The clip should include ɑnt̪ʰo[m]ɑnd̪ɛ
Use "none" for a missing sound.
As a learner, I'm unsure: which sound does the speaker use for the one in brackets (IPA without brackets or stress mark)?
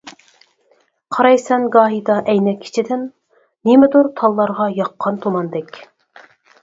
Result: m